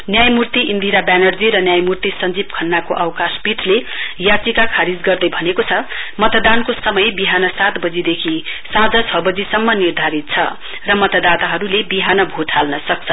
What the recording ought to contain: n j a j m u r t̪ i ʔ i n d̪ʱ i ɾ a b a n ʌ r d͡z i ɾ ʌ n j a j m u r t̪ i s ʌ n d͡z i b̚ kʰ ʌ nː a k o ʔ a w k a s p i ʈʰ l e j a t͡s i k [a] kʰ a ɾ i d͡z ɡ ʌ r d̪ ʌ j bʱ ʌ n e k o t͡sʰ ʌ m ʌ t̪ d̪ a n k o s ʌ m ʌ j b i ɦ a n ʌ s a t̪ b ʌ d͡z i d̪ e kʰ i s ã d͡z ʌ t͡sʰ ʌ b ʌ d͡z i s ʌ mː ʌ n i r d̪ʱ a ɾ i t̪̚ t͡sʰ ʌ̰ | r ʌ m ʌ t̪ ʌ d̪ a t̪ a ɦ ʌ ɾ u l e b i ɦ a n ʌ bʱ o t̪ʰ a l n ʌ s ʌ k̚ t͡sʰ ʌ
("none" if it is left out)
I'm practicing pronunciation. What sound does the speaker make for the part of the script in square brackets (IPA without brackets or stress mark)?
a